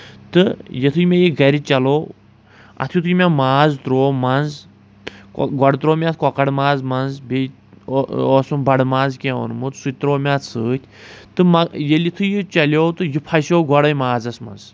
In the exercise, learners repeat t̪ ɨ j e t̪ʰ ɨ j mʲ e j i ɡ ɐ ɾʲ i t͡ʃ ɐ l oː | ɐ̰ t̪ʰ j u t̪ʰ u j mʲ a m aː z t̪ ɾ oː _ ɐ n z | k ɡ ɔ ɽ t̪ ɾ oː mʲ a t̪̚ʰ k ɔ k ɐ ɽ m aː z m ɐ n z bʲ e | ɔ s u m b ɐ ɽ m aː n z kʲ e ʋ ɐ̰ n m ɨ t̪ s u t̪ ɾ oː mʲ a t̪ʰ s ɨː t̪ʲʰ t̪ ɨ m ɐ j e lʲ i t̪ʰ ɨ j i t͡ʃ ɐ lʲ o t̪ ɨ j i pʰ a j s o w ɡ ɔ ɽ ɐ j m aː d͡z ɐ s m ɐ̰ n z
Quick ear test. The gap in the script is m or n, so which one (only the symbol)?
m